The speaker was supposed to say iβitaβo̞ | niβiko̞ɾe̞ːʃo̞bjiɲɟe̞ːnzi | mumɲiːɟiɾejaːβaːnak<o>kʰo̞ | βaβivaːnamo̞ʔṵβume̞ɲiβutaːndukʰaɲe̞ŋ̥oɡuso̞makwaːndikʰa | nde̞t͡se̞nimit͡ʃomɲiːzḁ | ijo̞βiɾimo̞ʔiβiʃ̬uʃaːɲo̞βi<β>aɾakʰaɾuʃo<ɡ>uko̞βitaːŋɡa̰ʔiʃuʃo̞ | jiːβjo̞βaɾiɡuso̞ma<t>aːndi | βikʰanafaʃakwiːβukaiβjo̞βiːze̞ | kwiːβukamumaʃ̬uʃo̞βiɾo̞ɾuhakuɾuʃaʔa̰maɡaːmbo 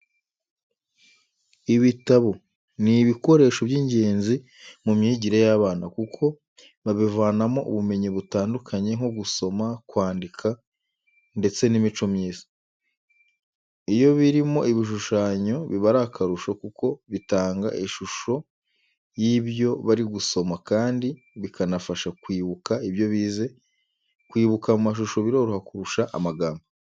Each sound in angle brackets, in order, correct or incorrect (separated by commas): incorrect, correct, incorrect, incorrect